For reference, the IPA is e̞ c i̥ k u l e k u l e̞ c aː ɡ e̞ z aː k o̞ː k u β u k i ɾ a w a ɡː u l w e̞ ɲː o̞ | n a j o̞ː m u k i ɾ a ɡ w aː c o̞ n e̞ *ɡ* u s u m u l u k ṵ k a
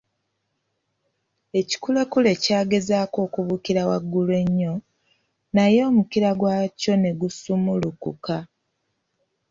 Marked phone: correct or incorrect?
correct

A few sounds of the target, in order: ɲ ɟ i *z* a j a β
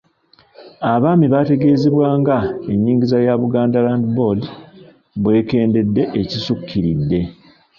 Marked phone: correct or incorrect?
correct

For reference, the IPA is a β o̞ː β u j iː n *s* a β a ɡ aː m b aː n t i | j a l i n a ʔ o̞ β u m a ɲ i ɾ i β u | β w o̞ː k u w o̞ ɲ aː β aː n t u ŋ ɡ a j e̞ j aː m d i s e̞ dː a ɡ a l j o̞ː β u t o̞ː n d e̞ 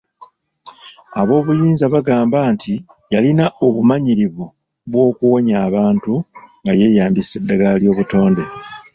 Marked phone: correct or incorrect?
incorrect: z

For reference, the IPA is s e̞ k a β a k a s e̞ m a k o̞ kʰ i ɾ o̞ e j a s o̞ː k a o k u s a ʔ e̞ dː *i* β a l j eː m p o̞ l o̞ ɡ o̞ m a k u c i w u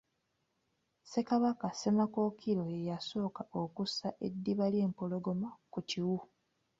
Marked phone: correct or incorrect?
correct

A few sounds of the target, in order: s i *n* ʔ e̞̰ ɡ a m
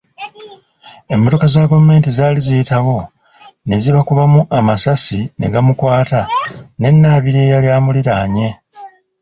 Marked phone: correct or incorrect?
correct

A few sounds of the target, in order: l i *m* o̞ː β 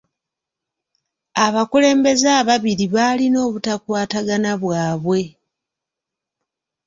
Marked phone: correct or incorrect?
incorrect: n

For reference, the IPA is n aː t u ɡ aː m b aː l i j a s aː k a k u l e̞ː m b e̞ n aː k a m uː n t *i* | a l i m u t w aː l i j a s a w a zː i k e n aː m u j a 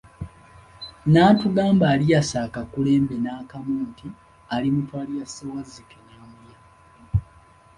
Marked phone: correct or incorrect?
correct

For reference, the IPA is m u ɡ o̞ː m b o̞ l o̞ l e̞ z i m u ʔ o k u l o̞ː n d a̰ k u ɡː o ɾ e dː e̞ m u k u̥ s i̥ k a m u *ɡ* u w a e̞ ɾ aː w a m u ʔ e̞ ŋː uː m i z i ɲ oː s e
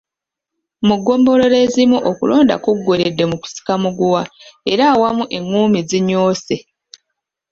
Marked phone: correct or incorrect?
correct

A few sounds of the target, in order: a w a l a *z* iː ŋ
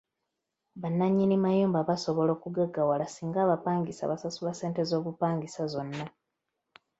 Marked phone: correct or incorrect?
incorrect: s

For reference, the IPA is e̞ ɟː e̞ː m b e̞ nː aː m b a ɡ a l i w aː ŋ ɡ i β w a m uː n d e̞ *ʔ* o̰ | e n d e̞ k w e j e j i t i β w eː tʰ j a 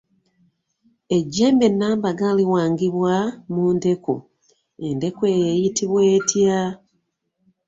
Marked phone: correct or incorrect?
incorrect: k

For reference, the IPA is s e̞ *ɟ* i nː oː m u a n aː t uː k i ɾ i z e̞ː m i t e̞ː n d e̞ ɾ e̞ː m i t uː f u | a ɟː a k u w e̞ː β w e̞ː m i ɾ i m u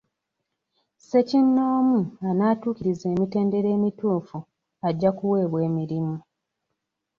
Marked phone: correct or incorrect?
incorrect: c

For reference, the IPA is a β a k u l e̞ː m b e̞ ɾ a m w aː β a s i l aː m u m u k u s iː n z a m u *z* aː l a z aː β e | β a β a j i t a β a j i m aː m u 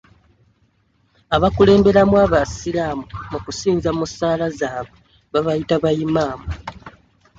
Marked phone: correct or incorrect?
incorrect: s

